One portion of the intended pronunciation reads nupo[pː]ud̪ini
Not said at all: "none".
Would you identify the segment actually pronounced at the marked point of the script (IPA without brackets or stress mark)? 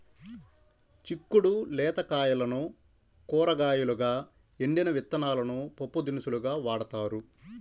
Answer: pː